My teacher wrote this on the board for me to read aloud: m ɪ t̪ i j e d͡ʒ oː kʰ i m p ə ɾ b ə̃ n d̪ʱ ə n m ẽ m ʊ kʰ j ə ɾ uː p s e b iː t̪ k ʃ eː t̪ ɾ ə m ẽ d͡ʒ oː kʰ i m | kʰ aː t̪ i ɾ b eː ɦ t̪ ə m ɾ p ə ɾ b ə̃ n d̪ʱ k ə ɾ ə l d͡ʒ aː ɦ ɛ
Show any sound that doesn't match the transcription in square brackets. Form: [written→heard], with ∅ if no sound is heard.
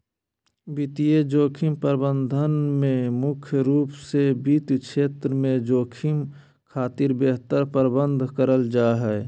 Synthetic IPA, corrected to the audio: [m→b] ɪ t̪ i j e d͡ʒ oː kʰ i m p ə ɾ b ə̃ n d̪ʱ ə n m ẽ m ʊ kʰ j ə ɾ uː p s e b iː t̪ k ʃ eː t̪ ɾ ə m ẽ d͡ʒ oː kʰ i m | kʰ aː t̪ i ɾ b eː ɦ t̪ ə [m→∅] ɾ p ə ɾ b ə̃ n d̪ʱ k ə ɾ ə l d͡ʒ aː ɦ ɛ